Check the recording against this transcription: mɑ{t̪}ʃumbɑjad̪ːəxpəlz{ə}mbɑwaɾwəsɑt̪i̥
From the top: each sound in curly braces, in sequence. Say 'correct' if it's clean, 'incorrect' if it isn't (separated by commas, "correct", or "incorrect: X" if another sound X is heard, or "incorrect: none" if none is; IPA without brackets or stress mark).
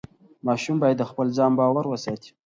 incorrect: none, incorrect: ɑ